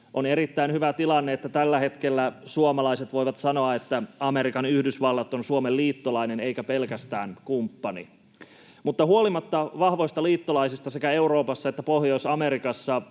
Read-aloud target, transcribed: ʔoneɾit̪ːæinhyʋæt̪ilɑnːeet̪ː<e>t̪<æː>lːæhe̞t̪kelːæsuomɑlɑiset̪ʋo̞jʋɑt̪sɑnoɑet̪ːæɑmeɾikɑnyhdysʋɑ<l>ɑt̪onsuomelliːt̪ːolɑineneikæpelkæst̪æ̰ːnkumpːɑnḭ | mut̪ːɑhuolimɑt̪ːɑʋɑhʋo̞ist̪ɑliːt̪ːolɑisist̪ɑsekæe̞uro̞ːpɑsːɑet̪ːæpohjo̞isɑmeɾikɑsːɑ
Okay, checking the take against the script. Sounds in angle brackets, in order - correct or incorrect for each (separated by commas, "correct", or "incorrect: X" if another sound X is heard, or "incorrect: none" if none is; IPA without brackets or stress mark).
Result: incorrect: æ, incorrect: æ, incorrect: lː